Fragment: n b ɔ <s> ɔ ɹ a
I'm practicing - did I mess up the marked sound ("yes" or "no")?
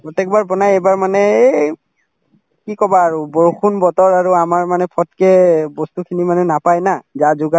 yes